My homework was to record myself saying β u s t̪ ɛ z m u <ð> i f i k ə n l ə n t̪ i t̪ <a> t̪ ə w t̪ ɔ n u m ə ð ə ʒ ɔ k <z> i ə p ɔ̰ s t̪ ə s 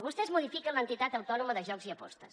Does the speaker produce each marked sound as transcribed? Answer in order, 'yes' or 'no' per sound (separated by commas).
yes, yes, yes